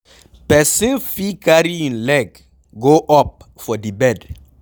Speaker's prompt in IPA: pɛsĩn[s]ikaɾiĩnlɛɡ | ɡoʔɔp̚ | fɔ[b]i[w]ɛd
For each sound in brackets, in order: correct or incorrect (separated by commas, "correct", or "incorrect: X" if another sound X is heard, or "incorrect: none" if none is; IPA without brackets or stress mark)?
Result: incorrect: f, incorrect: d, incorrect: b